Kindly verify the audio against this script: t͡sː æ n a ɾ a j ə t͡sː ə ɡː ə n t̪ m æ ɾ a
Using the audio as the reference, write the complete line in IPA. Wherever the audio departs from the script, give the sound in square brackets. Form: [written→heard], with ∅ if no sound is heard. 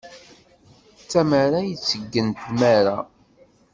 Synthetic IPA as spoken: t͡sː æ [n→m] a ɾ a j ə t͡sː ə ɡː ə n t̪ m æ ɾ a